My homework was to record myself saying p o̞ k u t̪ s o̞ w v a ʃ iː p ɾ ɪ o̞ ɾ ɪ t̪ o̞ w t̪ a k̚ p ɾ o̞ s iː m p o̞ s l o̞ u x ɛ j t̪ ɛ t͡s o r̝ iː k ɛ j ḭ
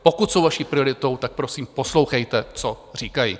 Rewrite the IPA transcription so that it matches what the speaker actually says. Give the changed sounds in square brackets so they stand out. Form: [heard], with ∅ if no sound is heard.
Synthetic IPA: p o̞ k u t̪ s o̞ w v a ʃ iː p ɾ ɪ o̞ ɾ ɪ t̪ o̞ w t̪ a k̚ p ɾ o̞ s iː m p o̞ s l o̞ [w] x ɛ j t̪ ɛ t͡s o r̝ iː k [a] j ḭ